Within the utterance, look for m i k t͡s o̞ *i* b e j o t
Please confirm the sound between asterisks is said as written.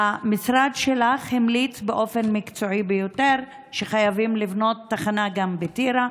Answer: yes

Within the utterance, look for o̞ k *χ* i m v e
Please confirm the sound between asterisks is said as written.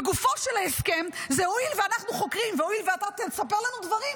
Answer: no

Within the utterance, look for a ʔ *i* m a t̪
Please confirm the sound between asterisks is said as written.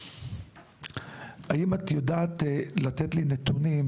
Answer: yes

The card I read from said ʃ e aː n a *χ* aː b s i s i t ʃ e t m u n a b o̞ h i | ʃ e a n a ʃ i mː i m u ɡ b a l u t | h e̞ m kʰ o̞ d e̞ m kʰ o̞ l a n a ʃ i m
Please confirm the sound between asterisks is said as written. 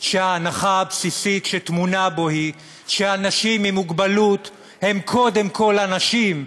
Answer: yes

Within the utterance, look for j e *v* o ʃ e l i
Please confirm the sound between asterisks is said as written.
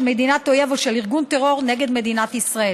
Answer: yes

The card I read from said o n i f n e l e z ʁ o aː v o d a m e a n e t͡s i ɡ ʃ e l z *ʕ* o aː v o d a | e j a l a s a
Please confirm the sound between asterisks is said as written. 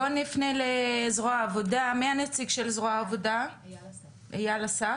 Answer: no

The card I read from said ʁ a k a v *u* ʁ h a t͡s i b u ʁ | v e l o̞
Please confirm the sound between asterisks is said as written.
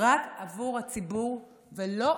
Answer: yes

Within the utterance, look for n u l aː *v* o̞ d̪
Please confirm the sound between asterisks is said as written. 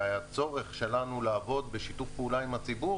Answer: yes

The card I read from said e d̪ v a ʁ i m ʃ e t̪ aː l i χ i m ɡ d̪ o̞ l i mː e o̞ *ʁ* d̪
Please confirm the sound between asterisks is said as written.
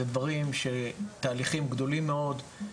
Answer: no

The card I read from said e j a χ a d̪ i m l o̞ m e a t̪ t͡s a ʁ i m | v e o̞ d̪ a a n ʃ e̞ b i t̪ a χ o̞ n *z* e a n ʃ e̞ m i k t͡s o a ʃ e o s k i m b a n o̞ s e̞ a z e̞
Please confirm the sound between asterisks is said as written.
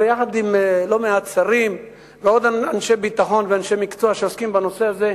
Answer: no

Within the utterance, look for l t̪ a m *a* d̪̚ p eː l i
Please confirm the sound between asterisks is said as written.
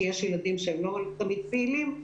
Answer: no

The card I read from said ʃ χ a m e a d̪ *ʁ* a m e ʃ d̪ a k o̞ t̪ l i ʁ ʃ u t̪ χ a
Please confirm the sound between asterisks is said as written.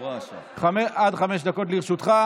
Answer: no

